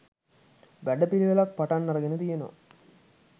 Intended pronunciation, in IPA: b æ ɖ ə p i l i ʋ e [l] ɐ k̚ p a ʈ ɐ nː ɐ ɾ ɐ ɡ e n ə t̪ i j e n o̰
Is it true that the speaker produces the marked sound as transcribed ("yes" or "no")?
yes